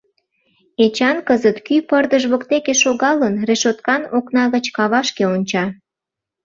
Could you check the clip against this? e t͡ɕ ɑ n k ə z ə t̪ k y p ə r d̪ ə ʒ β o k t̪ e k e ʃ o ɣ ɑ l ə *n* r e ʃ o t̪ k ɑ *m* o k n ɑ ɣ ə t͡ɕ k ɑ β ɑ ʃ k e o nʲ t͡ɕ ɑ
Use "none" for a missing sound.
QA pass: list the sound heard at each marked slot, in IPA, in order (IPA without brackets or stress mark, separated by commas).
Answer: n, n